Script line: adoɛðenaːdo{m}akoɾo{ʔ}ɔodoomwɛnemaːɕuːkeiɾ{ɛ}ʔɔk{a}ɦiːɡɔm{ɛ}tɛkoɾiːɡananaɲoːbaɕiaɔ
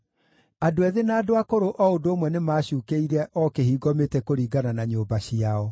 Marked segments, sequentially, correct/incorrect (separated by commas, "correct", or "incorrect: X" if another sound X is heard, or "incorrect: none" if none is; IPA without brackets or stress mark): incorrect: none, correct, correct, incorrect: e, incorrect: e